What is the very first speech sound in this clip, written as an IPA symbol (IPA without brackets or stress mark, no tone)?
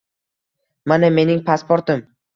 m